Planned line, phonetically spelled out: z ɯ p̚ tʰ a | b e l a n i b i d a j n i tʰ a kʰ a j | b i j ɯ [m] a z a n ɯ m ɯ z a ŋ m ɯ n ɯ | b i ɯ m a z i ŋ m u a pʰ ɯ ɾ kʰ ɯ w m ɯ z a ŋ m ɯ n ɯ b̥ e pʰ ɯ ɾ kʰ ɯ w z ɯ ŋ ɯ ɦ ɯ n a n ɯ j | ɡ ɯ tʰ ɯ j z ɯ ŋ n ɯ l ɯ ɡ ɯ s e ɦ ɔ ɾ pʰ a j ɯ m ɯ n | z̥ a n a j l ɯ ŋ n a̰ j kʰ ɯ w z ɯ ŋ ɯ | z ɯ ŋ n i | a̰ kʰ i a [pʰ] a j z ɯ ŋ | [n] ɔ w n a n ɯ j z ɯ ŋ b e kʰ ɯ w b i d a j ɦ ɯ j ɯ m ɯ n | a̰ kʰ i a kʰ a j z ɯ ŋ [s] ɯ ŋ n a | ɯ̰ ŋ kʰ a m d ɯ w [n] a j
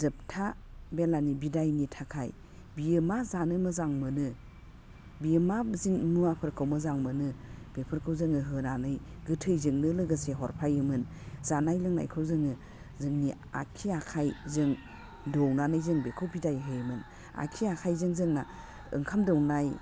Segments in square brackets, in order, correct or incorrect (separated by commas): correct, incorrect, incorrect, incorrect, correct